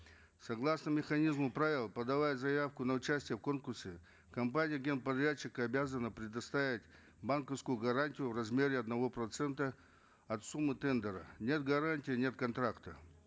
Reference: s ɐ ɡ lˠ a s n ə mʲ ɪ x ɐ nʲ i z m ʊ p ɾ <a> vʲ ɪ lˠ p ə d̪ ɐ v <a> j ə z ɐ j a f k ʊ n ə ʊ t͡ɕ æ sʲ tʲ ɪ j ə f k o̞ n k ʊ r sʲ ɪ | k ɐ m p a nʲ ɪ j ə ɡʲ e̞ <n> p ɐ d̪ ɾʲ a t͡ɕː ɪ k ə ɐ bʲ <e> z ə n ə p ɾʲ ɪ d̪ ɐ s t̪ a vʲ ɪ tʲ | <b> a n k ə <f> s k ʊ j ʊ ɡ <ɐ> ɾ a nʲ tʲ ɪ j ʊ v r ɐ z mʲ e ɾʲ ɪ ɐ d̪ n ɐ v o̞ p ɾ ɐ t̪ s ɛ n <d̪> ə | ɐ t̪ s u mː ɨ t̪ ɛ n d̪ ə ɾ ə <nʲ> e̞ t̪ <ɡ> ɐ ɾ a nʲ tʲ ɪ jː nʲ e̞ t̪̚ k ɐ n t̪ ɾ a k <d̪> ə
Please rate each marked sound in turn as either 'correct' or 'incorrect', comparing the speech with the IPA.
correct, correct, correct, incorrect: a, correct, correct, correct, incorrect: t̪, correct, correct, incorrect: t̪

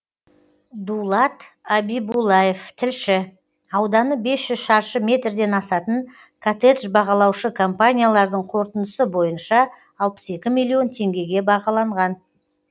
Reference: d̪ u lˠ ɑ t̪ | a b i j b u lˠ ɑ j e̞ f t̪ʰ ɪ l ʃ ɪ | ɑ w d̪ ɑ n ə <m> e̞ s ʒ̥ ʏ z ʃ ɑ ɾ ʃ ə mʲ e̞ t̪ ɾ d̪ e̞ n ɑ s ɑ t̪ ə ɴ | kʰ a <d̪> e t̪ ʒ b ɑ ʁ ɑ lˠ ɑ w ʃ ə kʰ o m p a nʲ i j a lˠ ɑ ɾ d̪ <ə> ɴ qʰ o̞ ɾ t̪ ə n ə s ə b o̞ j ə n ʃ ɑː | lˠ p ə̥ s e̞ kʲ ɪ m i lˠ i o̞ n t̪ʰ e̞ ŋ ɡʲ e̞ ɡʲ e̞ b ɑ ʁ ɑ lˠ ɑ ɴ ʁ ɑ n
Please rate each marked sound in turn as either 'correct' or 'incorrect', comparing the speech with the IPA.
incorrect: b, incorrect: t̪, correct

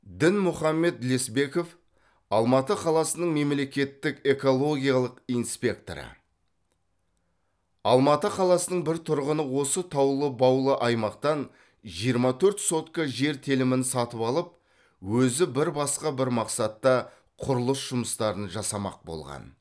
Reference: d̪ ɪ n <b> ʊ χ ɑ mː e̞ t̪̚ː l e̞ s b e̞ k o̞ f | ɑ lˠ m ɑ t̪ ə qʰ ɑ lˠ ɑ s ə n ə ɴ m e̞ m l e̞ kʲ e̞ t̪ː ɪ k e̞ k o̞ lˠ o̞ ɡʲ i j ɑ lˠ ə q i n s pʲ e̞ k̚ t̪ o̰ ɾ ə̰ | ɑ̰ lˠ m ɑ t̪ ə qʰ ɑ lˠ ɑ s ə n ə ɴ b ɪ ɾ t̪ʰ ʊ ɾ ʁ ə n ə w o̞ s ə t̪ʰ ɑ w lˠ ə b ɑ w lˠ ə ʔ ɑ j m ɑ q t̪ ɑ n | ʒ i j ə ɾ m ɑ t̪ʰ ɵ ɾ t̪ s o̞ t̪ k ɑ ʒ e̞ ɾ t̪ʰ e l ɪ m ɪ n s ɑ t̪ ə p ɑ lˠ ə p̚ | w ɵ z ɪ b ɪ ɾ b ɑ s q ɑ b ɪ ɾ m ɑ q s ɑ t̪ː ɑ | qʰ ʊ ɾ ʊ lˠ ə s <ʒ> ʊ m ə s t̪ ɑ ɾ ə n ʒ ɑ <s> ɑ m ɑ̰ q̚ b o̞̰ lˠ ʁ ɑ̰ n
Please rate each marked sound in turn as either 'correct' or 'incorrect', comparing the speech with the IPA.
incorrect: m, correct, correct

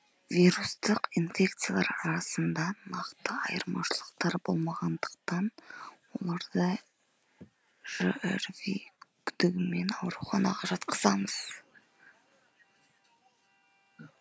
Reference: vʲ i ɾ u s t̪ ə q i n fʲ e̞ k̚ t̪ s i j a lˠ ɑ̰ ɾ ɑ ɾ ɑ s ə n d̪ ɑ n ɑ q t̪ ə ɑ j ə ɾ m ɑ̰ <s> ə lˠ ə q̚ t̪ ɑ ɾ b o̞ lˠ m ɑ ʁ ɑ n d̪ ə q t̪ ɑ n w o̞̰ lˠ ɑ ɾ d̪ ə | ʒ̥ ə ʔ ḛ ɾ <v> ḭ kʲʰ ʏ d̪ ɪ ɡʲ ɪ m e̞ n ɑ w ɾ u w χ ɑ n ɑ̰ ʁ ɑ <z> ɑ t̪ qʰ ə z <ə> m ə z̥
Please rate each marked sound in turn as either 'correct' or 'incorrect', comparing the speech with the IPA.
incorrect: ʃ, correct, incorrect: ʒ, incorrect: ɑ

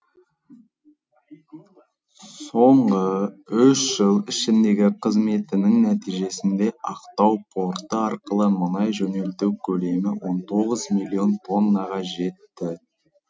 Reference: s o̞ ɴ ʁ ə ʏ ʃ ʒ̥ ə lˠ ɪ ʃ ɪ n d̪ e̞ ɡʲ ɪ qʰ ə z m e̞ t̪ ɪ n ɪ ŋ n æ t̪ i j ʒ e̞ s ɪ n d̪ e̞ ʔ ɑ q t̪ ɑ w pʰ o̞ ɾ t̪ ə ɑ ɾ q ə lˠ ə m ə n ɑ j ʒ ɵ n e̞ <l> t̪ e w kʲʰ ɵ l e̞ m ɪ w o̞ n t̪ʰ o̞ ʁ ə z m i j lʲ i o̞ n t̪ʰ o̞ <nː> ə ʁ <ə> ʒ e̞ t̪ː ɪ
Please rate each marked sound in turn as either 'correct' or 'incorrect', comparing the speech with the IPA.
correct, correct, incorrect: ɑ

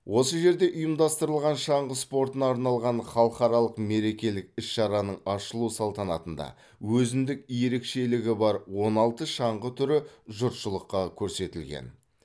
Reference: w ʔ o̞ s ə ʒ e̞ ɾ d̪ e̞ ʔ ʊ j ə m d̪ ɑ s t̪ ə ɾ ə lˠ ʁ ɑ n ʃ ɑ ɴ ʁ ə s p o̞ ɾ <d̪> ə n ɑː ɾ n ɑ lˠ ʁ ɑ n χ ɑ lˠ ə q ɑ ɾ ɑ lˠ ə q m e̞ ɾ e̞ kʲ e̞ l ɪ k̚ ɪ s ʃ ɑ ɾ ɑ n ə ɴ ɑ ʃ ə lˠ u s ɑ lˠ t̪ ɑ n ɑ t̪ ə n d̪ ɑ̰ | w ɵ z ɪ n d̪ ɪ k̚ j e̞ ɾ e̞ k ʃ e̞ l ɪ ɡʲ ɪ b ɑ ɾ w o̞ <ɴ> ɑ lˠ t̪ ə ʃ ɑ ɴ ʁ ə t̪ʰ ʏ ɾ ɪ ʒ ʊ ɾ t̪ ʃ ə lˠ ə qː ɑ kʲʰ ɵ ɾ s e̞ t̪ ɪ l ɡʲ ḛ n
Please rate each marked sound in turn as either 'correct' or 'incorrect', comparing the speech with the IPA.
incorrect: t̪, incorrect: n

